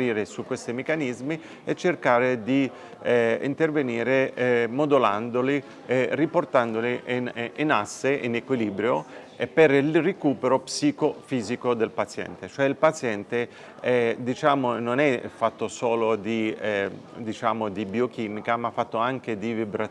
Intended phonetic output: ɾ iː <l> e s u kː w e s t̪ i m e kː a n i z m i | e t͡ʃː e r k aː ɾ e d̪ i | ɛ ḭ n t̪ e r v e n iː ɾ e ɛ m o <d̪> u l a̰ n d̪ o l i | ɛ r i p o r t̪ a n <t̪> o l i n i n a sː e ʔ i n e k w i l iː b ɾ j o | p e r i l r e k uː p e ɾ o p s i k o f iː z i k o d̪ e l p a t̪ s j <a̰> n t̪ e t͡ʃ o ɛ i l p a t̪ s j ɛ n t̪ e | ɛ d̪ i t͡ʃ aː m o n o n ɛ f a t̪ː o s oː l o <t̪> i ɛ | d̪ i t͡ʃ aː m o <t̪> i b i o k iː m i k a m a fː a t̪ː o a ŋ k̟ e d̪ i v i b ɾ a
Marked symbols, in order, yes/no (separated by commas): no, yes, no, no, no, no